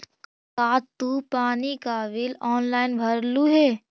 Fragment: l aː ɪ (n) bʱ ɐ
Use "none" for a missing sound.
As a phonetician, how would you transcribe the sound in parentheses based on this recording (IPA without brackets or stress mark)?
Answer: n